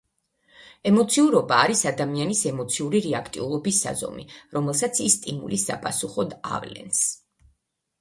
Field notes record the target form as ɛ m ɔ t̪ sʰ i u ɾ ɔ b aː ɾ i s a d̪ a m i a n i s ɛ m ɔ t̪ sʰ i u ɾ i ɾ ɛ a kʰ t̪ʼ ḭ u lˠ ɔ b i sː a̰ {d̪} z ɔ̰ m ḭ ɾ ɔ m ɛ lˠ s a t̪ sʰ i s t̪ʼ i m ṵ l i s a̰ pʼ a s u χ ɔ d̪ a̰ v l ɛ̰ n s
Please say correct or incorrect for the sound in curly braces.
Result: incorrect